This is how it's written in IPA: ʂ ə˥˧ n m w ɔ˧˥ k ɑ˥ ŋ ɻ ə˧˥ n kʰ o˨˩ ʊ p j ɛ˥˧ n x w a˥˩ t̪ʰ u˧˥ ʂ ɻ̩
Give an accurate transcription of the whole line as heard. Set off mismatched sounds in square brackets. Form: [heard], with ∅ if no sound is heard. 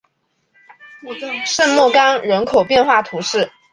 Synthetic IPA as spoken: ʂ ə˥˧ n m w [ɔ˥˩] k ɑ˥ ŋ ɻ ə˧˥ n kʰ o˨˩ ʊ p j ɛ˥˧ n x w a˥˩ t̪ʰ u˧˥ ʂ ɻ̩